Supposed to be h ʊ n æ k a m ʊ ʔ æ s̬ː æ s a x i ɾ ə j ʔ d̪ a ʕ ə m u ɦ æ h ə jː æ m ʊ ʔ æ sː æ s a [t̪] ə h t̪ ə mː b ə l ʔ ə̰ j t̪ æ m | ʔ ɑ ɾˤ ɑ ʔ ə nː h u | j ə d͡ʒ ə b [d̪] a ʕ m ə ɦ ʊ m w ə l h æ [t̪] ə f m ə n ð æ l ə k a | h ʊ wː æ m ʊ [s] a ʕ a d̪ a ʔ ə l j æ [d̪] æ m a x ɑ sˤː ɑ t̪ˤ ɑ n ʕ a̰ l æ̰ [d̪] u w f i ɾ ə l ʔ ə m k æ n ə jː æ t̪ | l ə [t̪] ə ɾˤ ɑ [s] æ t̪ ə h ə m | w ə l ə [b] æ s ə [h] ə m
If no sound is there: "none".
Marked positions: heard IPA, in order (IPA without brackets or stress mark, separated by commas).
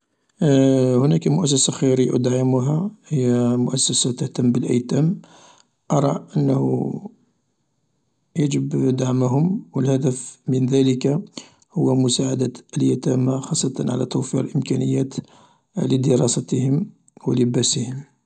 t̪, d̪, d̪, s, t̪, t̪, d̪, s, b, h